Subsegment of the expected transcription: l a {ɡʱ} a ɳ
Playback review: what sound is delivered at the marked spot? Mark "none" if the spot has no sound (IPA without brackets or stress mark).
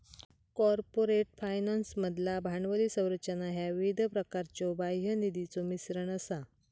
bʱ